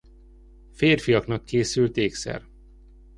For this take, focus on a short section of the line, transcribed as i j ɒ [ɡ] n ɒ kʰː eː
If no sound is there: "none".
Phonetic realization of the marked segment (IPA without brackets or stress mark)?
k